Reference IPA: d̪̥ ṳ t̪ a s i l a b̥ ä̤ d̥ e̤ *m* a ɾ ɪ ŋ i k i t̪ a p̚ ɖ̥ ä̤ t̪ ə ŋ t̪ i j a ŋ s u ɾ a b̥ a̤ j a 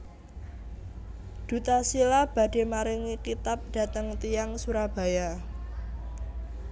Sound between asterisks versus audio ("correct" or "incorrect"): correct